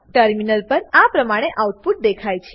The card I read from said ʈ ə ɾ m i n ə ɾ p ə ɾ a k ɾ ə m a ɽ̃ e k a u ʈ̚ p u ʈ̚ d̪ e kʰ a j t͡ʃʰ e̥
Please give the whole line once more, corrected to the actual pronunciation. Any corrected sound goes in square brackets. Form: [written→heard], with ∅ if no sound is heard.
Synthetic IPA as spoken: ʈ ə ɾ m i n ə [ɾ→l] p ə ɾ a [k→p] ɾ ə m a ɽ̃ e [k→ʔ] a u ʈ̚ p u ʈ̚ d̪ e kʰ a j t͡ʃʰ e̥